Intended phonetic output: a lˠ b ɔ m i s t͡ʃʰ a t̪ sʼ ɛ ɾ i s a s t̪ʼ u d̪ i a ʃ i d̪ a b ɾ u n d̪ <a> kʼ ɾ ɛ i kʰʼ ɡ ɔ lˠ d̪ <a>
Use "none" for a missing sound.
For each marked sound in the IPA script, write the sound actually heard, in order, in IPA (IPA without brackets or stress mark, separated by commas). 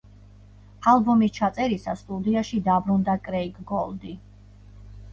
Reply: a, i